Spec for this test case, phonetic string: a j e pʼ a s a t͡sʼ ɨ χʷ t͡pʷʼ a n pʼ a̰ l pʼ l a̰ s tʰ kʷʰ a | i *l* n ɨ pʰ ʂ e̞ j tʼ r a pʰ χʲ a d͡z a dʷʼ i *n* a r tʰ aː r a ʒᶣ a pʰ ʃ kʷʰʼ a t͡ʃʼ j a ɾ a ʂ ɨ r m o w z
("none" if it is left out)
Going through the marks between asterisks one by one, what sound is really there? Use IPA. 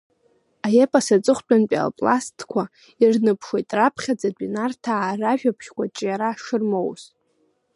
r, n

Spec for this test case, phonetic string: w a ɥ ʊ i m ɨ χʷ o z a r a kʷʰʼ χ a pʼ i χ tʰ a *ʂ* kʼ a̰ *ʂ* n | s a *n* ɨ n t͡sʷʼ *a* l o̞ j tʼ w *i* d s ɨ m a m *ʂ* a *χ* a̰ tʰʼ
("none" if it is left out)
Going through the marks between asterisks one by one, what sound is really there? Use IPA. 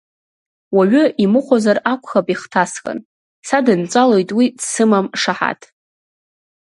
s, none, d, a, i, ʂ, ħ

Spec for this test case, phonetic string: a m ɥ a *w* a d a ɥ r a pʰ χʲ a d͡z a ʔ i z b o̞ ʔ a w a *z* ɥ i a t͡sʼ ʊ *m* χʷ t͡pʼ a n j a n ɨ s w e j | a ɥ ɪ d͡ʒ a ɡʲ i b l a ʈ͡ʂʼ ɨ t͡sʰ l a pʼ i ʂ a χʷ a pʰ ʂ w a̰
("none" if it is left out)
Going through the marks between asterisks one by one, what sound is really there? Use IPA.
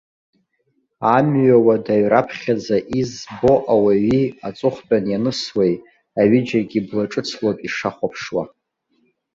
w, none, none

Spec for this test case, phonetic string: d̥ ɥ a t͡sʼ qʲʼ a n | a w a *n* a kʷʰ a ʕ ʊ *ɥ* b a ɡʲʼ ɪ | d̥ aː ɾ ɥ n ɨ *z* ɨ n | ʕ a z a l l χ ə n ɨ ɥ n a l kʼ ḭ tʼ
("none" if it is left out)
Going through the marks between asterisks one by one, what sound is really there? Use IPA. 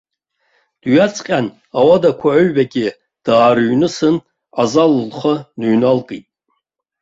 d, ɥ, s

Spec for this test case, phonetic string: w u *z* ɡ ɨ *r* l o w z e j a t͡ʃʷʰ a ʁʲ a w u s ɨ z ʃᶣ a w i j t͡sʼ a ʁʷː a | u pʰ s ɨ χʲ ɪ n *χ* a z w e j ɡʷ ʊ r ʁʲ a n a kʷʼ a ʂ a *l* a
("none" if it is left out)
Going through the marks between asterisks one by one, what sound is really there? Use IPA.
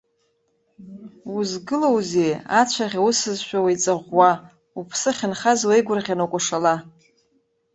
z, none, χ, l

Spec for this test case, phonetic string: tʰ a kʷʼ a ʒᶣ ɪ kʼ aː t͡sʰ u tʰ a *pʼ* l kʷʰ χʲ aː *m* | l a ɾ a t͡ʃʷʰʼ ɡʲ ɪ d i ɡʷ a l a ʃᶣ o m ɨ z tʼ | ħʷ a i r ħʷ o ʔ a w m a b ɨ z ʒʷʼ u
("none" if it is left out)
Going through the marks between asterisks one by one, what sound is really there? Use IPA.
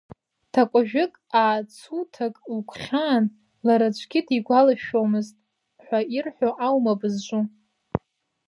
kʼ, n

